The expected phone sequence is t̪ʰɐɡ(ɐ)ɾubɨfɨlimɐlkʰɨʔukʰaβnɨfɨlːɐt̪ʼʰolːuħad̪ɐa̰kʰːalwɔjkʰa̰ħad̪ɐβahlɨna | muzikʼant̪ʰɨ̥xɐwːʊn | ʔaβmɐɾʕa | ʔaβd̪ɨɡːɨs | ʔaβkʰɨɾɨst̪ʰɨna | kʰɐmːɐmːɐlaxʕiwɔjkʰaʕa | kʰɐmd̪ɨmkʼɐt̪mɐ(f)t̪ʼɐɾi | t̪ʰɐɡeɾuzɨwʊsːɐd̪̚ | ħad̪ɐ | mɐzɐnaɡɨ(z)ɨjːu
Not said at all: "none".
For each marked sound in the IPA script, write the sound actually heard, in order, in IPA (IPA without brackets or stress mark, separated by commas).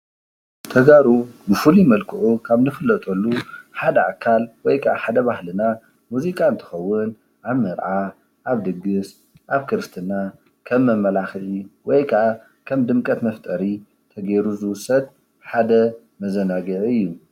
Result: a, f, ʕ